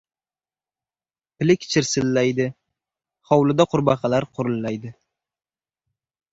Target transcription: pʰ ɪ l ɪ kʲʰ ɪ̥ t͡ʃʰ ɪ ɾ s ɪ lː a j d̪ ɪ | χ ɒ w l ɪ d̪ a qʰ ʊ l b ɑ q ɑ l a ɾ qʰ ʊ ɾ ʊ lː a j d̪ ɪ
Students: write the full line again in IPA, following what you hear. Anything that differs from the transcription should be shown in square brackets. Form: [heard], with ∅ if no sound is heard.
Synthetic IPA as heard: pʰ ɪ l ɪ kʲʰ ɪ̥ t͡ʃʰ ɪ ɾ s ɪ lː a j d̪ ɪ | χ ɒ w l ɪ d̪ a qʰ ʊ [ɾ] b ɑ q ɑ l a ɾ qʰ ʊ ɾ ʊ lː a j d̪ ɪ